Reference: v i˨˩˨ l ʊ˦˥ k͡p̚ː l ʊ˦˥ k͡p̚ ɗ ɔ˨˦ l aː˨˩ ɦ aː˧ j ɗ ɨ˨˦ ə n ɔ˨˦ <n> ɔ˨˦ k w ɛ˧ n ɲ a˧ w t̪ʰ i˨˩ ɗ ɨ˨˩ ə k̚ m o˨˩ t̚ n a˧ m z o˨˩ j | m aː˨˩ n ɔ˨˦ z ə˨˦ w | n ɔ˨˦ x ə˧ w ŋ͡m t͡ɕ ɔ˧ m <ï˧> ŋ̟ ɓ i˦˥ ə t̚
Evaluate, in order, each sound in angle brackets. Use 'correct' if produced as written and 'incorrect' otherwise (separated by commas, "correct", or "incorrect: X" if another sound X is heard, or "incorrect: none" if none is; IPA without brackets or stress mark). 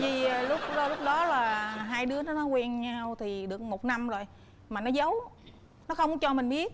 correct, incorrect: ï˨˩